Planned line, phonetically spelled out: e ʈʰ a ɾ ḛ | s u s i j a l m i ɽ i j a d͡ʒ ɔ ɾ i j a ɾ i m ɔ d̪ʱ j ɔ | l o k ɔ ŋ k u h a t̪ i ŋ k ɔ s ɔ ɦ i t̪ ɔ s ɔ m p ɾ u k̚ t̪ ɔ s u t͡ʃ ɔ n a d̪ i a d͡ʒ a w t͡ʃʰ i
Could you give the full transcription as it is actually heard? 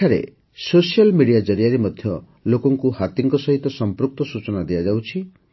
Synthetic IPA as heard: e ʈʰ a ɾ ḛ | s o s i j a l m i ɽ i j a d͡ʒ ɔ ɾ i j a ɾ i m ɔ d̪ʱ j ɔ | l o k ɔ ŋ k u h a t̪ i ŋ k ɔ s ɔ ɦ i t̪ ɔ s ɔ m p ɾ u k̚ t̪ ɔ s u t͡ʃ ɔ n a d̪ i a d͡ʒ a w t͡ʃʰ i